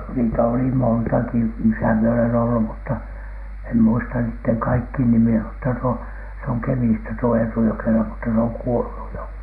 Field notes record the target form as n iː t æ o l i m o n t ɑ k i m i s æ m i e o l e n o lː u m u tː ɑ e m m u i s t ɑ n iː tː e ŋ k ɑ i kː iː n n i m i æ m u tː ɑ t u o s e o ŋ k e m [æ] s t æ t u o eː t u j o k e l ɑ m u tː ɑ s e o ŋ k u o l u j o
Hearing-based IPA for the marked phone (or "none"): i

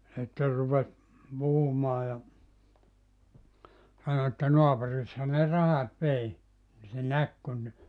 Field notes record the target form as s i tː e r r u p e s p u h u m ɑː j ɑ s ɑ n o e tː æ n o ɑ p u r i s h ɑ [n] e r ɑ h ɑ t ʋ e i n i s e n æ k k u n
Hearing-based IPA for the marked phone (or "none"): n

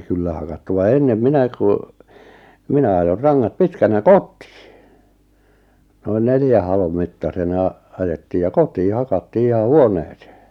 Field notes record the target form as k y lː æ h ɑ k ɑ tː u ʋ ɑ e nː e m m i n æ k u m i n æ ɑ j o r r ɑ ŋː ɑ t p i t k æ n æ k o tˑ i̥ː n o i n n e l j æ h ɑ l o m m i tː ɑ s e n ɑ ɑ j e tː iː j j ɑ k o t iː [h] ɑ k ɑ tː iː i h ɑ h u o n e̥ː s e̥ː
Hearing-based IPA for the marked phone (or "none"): h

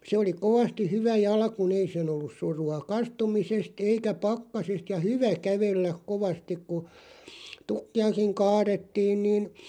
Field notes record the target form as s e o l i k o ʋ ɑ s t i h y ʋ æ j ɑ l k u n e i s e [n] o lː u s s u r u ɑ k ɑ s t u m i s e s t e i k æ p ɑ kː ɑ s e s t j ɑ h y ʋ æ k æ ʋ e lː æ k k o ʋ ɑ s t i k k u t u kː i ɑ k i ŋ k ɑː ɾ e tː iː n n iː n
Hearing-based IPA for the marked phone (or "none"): n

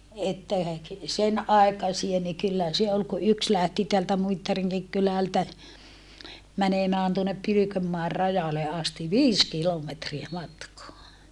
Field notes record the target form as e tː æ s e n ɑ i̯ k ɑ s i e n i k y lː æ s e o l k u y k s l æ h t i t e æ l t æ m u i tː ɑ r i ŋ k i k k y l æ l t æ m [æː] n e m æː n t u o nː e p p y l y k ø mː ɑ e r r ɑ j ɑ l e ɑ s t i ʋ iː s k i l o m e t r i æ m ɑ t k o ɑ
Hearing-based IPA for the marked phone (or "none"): æ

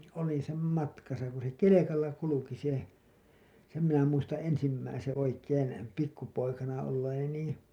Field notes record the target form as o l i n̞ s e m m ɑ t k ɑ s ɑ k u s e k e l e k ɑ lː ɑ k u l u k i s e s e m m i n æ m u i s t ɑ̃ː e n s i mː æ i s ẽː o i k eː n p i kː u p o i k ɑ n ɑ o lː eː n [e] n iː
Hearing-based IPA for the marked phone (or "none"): i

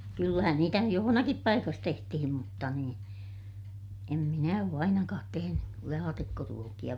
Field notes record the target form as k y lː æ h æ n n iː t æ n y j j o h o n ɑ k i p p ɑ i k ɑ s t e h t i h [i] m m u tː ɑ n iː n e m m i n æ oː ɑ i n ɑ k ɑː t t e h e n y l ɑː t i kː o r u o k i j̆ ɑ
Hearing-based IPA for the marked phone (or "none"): i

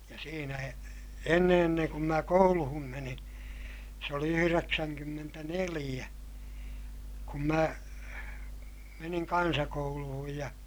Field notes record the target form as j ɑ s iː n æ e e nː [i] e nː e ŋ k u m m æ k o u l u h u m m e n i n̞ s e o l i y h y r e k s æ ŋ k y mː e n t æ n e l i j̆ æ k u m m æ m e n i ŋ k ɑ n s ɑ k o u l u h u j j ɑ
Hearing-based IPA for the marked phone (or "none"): e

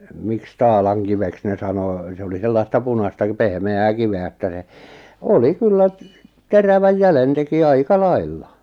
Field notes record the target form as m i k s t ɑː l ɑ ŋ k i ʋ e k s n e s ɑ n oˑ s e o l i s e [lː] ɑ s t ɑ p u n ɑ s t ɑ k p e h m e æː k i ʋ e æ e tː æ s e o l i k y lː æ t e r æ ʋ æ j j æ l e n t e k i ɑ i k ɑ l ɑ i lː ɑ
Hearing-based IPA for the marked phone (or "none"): lː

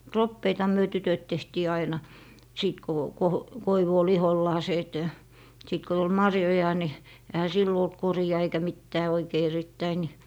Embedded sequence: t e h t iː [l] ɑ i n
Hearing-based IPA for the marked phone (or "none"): none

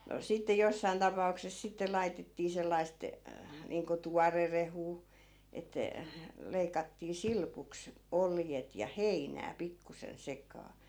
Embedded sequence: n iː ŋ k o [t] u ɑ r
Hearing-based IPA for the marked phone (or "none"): t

